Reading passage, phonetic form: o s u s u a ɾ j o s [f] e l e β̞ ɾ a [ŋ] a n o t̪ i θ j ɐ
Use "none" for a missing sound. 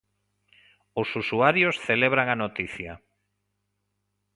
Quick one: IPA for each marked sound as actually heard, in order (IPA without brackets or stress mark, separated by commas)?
θ, ŋ